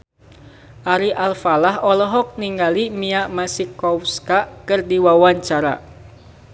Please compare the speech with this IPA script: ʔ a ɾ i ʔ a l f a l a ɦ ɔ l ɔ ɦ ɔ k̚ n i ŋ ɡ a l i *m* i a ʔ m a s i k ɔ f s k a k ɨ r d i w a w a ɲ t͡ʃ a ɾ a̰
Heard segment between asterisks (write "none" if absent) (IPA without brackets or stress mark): m